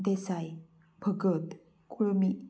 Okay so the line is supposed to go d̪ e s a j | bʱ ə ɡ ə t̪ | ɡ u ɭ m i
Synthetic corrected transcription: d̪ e s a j | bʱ ə ɡ ə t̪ | k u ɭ m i